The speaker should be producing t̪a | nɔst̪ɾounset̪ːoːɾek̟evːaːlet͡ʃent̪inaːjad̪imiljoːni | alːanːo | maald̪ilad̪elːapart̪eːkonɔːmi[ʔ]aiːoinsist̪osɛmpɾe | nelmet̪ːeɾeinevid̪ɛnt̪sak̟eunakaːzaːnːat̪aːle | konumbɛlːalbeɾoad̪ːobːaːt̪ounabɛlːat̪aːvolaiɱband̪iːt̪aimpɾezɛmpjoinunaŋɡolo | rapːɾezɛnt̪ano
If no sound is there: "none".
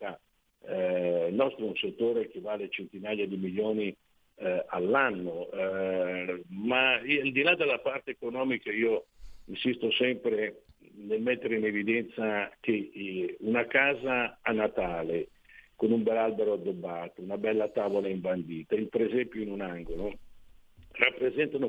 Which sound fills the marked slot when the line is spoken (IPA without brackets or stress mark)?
k